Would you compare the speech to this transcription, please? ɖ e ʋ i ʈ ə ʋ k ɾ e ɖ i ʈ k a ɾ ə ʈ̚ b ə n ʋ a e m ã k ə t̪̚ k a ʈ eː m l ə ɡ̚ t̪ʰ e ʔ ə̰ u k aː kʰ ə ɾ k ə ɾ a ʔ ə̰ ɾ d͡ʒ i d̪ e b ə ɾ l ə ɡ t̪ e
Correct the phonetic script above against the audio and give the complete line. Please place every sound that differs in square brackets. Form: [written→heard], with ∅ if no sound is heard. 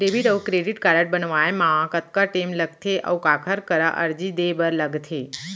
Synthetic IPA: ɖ e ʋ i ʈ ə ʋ k ɾ e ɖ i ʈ k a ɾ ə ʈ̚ b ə n ʋ a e m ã k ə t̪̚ k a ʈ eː m l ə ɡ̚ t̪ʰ e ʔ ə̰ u k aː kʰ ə ɾ k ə ɾ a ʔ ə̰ ɾ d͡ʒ i d̪ e b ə ɾ l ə ɡ [t̪→t̪ʰ] e